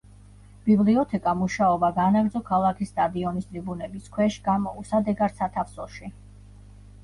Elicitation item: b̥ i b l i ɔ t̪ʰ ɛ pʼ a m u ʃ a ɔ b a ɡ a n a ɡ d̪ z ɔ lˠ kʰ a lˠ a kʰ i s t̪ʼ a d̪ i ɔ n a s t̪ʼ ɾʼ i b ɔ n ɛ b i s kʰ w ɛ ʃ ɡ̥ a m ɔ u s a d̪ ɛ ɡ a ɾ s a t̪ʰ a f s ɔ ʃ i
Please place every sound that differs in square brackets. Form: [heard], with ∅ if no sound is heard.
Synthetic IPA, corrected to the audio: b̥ i b l i ɔ t̪ʰ ɛ [kʼ] a m u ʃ a ɔ b a ɡ a n a ɡ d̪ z ɔ [∅] kʰ a lˠ a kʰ i s t̪ʼ a d̪ i ɔ n [i] s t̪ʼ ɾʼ i b [u] n ɛ b i s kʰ w ɛ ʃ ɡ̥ a m ɔ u s a d̪ ɛ ɡ a ɾ s a t̪ʰ a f s ɔ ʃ i